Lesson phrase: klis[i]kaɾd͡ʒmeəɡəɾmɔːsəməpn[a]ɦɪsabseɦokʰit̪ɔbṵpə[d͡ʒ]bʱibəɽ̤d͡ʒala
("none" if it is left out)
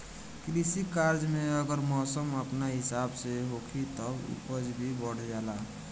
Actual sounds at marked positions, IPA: i, a, d͡ʒ

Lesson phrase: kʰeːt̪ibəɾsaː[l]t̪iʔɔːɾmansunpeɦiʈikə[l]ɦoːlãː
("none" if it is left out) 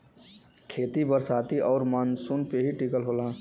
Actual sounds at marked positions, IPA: none, l

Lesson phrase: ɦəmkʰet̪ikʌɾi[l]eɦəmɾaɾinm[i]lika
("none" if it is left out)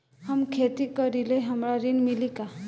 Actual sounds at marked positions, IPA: l, i

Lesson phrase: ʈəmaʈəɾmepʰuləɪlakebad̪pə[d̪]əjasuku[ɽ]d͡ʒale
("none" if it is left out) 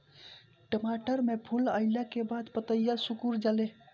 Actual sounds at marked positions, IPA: t̪, ɾ

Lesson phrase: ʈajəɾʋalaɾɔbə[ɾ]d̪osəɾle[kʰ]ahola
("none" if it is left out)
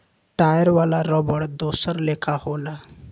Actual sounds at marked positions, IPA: ɽ, kʰ

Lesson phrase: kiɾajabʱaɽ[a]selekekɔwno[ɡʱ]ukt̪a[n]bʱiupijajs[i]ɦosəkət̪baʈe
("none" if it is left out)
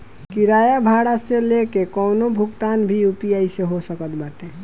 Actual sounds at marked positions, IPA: a, bʱ, n, e

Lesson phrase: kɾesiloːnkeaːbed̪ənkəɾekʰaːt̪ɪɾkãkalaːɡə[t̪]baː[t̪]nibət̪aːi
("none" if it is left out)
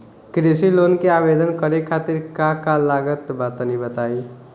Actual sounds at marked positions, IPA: t̪, t̪

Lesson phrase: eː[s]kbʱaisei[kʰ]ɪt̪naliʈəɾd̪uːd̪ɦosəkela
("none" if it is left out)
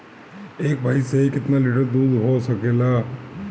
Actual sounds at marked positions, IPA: none, k

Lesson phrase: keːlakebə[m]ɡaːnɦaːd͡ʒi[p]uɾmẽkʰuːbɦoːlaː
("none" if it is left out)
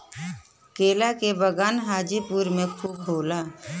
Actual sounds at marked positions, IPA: none, p

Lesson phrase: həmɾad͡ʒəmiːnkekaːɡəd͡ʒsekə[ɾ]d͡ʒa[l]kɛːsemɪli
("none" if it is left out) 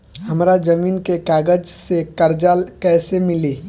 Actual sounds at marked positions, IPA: ɾ, l

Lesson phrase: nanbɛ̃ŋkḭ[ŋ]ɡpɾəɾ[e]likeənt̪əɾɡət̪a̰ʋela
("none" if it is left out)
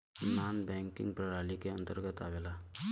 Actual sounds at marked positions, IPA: ŋ, a

